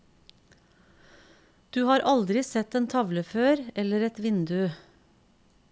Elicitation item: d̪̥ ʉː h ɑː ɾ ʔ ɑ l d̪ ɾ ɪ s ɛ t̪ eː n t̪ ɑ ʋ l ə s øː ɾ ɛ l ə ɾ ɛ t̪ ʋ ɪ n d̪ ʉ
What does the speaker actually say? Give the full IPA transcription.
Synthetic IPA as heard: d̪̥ ʉː h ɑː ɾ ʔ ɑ l d̪ ɾ ɪ s ɛ t̪ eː n t̪ʰ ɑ ʋ l ə f øː ɾ ɛ l ə ɾ ɛ t̪ ʋ ɪ n d̪ ʉ